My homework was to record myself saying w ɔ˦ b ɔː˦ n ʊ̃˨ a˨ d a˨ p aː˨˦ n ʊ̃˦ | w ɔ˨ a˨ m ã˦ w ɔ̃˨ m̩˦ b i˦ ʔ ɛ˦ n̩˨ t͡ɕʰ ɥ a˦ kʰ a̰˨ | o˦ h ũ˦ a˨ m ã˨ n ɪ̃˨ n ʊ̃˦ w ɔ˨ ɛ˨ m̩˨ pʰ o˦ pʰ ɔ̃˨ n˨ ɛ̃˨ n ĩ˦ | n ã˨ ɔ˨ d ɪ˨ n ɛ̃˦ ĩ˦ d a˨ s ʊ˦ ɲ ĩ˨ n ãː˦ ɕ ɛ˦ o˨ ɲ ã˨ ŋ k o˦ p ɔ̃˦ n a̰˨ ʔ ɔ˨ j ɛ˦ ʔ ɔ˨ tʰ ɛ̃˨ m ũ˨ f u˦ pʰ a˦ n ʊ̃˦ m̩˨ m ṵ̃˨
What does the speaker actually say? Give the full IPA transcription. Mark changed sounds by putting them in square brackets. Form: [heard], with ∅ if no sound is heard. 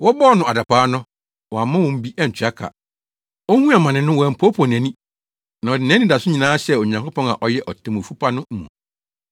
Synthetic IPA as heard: w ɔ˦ b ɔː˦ n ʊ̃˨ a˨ d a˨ p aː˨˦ n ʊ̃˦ | w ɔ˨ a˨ m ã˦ w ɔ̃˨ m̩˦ b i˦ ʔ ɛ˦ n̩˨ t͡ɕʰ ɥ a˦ kʰ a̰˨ | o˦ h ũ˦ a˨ m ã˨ n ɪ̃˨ n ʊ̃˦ w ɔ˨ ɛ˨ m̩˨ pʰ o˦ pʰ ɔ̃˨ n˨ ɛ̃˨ n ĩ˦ | n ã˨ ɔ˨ d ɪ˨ n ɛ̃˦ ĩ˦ d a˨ s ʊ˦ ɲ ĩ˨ n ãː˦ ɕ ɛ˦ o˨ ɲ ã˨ ŋ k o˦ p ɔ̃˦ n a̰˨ ʔ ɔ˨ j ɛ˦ ʔ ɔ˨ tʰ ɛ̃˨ m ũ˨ f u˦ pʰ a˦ n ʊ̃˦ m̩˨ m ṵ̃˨